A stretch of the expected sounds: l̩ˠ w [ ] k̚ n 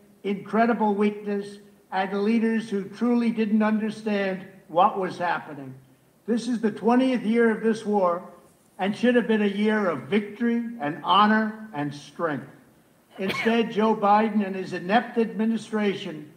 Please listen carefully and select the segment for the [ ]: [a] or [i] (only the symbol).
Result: i